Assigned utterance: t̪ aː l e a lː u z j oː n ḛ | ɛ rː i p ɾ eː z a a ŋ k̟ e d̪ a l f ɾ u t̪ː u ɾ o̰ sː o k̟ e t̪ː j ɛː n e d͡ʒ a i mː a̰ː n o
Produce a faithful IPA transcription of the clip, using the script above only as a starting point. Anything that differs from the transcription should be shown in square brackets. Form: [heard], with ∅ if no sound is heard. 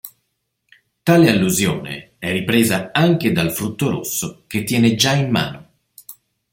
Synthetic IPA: t̪ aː l e a lː u z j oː n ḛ | ɛ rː i p ɾ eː z a a ŋ k̟ e d̪ a l f ɾ u t̪ː [o] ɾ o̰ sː o k̟ e t̪ː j ɛː n e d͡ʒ a i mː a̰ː n o